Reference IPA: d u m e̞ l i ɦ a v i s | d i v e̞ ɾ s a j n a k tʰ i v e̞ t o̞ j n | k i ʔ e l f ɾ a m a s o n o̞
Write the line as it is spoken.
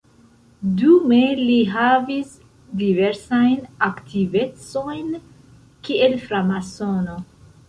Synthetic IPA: d u m e̞ l i ɦ a v i s | d i v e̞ ɾ s a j n a k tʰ i v e̞ t͡s o̞ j n | k i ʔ e l f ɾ a m a s o n o̞